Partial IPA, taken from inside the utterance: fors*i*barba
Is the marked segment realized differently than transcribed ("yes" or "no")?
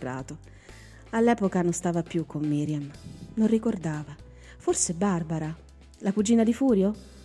yes